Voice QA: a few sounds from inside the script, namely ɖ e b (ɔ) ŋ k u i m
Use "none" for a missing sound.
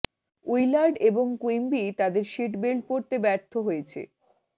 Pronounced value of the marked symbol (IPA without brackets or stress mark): o